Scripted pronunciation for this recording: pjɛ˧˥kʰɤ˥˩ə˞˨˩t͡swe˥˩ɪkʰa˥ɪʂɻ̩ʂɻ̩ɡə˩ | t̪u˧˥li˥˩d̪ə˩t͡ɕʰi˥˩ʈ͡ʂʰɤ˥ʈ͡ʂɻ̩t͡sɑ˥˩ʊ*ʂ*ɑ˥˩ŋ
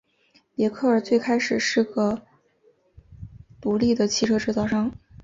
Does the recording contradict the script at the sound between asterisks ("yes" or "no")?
no